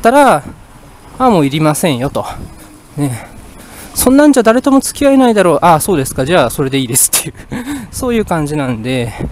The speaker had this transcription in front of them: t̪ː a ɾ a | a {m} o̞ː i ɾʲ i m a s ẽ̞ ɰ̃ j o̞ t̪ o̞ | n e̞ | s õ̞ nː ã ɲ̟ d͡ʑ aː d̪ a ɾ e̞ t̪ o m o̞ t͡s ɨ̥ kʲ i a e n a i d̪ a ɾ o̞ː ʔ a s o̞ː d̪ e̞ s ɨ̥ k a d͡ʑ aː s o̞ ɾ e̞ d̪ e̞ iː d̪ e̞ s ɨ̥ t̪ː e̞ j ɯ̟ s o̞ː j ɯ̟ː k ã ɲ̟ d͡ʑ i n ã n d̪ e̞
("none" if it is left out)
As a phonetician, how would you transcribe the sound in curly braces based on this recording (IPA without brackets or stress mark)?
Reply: m